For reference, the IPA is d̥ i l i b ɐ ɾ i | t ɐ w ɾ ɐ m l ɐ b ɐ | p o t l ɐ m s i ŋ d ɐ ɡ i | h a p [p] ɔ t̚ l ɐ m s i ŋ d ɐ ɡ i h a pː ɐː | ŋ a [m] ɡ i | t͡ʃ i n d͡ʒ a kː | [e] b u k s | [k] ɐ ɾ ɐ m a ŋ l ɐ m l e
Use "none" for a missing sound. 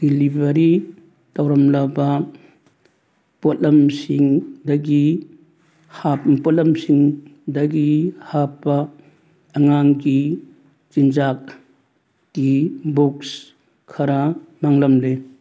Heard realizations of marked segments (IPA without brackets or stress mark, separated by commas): p, ŋ, i, kʰ